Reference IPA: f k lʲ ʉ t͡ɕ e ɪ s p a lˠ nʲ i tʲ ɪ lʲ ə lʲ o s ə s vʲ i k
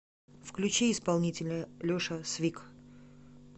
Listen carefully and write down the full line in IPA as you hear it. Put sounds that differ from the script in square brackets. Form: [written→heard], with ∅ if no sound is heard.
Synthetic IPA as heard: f k lʲ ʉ t͡ɕ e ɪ s p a lˠ nʲ i tʲ ɪ lʲ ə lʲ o [s→ʂ] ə s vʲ i k